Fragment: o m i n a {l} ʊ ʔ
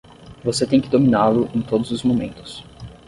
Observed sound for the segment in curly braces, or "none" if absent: l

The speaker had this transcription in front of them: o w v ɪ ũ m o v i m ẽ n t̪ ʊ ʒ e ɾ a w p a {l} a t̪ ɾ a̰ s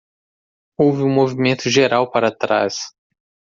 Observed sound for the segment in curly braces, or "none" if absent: ɾ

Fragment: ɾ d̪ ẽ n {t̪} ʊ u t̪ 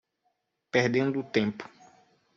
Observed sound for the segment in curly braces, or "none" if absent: d̪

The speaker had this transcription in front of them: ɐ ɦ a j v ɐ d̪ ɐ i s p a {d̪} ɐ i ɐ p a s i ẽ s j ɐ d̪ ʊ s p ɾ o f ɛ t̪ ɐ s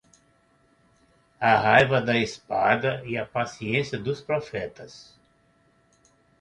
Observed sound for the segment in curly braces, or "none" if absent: d̪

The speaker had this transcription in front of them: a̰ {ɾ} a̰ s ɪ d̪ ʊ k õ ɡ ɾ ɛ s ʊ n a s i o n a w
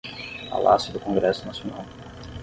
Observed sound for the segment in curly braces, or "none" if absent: l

